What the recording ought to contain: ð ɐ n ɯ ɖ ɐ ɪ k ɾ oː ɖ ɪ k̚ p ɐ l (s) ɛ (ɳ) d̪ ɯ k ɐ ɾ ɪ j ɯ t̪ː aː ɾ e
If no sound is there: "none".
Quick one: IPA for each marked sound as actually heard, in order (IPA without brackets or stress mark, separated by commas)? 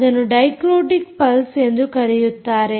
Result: s, n